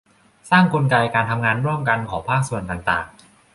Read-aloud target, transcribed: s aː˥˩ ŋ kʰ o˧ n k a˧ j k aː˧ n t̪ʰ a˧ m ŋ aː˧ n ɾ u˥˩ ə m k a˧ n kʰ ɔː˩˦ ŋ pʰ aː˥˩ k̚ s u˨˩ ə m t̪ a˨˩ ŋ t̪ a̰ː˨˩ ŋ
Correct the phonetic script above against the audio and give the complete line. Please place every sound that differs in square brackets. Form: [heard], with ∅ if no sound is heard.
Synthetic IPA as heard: s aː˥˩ ŋ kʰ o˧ n k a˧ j k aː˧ n t̪ʰ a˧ m ŋ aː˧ n ɾ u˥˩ ə m k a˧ n kʰ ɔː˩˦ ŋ pʰ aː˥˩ k̚ s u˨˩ ə [n] t̪ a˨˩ ŋ t̪ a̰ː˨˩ ŋ